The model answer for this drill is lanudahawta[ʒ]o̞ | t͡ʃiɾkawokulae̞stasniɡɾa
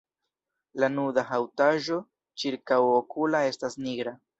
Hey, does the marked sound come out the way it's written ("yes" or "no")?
yes